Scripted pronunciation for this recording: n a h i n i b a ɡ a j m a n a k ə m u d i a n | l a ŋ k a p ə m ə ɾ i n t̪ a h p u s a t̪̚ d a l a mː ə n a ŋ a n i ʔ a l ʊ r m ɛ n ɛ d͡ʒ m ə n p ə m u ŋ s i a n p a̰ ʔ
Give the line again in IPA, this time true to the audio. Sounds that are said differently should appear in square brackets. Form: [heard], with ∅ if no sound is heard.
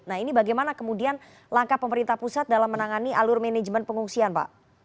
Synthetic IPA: n a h i n i b a ɡ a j m a n a k ə m u d i a n | l a ŋ k a p ə m ə ɾ i n t̪ a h p u s a t̪̚ d a l a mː ə n a ŋ a n i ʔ a l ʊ r m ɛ n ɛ d͡ʒ m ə n p ə [ŋ] u ŋ s i a n p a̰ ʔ